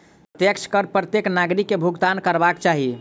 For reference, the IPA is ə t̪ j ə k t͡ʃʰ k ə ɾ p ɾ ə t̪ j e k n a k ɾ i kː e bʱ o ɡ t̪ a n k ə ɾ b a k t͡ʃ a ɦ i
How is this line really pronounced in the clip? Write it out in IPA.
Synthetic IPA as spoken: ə t̪ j ə k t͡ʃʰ k ə ɾ p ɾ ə t̪ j e k n a ɡ ɾ i kː e bʱ u ɡ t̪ a n k ə ɾ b a k t͡ʃ a ɦ i